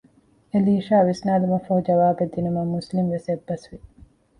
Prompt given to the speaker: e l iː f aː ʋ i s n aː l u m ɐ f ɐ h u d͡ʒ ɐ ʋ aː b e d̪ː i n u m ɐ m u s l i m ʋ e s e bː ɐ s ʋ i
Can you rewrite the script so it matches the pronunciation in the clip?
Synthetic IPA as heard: e l iː ʃ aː ʋ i s n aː l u m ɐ f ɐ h u d͡ʒ ɐ ʋ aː b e d̪ː i n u m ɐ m u s l i m ʋ e s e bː ɐ s ʋ i